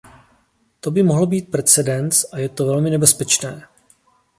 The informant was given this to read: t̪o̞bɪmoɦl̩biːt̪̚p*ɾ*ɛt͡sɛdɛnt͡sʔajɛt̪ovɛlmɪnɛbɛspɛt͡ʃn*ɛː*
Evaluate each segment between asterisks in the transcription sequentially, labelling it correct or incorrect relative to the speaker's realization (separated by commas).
correct, correct